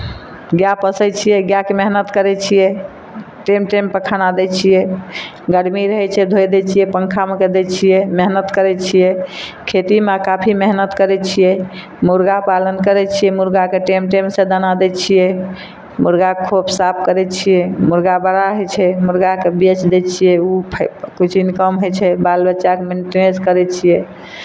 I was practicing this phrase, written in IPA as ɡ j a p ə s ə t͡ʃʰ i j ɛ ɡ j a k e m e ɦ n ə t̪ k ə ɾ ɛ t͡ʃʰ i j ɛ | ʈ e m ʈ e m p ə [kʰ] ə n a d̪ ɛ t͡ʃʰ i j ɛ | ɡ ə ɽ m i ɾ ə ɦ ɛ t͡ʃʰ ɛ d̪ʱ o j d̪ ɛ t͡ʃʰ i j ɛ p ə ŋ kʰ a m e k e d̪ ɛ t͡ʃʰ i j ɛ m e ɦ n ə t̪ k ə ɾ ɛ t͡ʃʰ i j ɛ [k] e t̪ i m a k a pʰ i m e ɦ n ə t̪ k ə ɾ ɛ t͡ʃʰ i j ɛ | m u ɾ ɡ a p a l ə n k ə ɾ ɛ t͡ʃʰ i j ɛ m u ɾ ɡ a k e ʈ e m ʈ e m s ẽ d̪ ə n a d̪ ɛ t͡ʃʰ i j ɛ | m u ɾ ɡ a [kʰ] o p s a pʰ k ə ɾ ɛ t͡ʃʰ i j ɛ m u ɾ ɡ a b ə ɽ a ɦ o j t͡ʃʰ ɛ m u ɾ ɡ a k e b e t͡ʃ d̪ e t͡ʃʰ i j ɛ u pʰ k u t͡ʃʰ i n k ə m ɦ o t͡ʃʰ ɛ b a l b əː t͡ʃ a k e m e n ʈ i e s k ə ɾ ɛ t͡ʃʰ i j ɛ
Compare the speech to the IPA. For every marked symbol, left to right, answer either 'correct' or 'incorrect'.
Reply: correct, incorrect, correct

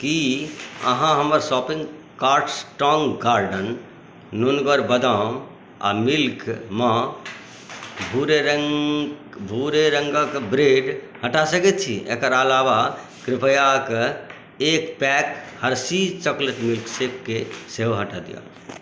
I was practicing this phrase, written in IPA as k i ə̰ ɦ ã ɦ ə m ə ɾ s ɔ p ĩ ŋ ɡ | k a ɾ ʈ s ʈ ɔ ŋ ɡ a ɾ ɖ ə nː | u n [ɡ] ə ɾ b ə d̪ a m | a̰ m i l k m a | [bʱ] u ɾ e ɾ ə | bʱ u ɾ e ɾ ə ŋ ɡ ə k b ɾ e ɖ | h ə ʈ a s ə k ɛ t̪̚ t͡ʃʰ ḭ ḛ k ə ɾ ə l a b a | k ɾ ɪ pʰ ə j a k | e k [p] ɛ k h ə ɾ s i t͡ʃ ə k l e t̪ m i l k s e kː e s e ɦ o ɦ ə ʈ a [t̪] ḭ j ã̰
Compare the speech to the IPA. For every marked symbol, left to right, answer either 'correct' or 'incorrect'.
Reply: correct, correct, correct, incorrect

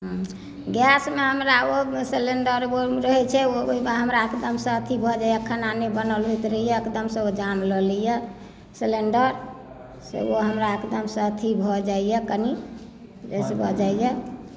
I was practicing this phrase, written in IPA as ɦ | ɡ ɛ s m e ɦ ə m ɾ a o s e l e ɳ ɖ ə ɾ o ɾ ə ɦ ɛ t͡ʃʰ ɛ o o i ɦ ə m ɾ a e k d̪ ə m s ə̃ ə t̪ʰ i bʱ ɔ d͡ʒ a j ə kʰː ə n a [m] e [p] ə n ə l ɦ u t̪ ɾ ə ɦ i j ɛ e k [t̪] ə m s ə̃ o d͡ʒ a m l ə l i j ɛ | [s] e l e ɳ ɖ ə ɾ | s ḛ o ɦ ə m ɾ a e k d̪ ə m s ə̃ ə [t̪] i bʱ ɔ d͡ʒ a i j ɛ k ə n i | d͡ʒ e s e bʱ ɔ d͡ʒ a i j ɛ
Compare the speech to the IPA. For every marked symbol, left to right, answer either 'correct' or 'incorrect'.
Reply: incorrect, incorrect, incorrect, correct, incorrect

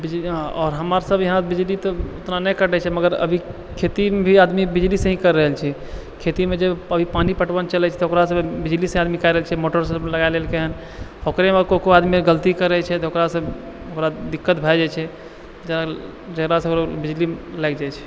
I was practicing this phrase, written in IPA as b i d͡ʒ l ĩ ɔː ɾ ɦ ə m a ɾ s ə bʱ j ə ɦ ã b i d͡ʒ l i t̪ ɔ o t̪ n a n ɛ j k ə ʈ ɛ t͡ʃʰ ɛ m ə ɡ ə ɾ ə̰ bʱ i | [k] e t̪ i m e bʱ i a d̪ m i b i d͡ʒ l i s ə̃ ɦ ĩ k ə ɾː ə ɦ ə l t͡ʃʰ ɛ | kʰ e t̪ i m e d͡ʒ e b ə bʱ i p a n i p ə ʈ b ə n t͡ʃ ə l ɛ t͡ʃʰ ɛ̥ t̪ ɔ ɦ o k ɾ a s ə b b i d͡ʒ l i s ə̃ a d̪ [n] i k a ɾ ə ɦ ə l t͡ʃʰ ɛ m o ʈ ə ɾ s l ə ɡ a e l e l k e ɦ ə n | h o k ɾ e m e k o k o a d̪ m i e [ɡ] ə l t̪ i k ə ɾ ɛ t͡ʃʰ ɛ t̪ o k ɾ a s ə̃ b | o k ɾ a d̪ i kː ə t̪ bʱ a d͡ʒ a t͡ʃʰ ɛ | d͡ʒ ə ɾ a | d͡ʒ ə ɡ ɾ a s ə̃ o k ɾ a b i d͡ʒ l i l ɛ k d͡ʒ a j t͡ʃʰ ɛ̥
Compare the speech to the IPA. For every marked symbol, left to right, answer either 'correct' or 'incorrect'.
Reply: incorrect, incorrect, correct

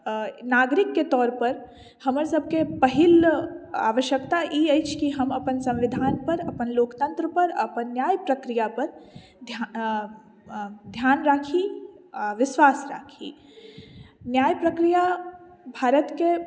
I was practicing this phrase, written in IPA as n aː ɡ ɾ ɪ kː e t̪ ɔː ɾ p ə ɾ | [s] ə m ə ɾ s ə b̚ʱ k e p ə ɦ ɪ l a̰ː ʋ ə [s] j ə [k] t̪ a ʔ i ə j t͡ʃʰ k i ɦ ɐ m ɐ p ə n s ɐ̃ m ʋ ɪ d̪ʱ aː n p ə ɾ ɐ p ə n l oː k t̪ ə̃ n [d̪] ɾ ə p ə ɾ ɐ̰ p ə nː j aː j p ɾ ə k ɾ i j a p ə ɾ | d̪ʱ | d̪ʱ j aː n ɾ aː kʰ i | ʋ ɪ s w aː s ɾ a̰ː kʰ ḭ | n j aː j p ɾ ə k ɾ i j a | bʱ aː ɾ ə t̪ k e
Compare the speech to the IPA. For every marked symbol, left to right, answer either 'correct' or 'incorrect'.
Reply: incorrect, incorrect, correct, incorrect

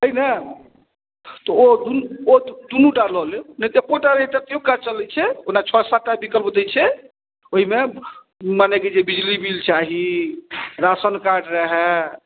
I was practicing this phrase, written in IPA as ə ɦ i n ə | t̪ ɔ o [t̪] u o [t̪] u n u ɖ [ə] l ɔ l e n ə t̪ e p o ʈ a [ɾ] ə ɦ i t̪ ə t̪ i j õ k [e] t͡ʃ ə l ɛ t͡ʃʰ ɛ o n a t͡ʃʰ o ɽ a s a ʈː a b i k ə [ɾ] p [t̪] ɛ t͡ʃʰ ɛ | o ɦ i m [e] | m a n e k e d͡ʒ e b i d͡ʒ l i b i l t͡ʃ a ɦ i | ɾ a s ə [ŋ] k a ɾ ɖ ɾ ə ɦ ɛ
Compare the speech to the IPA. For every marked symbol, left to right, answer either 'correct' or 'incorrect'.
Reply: incorrect, incorrect, incorrect, correct, incorrect, incorrect, incorrect, correct, incorrect

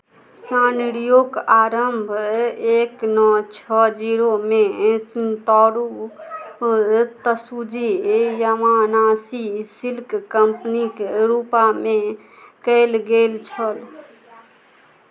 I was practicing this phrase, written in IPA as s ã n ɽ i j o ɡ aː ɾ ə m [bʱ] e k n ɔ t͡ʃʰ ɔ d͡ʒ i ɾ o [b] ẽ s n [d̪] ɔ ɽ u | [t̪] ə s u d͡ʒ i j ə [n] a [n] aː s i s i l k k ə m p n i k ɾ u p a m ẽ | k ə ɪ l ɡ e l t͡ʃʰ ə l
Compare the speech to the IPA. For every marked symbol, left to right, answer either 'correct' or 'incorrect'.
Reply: correct, incorrect, incorrect, correct, incorrect, correct

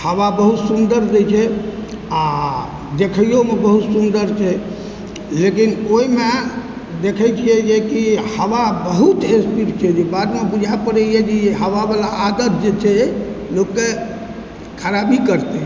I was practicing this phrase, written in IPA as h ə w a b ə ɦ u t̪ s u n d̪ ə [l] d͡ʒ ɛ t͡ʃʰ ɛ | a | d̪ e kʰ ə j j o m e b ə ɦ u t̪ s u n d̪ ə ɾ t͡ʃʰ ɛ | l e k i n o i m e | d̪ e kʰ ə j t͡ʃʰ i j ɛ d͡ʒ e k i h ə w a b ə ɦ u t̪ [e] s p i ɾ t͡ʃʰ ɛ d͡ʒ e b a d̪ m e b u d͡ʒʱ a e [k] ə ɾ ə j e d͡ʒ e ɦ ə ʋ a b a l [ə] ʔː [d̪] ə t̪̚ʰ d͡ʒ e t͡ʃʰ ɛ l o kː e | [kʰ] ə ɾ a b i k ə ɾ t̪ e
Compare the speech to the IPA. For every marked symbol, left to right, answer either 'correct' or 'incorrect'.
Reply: incorrect, correct, incorrect, incorrect, correct, correct

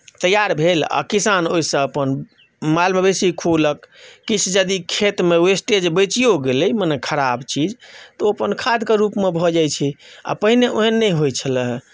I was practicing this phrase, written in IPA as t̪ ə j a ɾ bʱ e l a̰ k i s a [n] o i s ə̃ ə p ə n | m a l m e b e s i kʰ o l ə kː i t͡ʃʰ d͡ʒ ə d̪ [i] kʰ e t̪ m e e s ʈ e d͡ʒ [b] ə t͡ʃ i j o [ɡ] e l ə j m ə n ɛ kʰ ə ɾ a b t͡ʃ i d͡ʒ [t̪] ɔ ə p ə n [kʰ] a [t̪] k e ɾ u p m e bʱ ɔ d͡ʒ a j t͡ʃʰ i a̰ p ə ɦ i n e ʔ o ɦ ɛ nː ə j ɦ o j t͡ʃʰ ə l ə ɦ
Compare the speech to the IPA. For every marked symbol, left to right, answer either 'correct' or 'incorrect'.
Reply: correct, correct, correct, correct, correct, correct, incorrect

